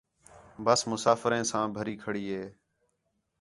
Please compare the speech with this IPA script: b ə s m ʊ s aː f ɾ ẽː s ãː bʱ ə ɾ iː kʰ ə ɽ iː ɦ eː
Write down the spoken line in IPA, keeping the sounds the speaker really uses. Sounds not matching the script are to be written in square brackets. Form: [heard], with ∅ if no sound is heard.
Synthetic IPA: b ə s m ʊ s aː f ɾ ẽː s ãː bʱ ə ɾ iː kʰ ə ɽ iː ɦ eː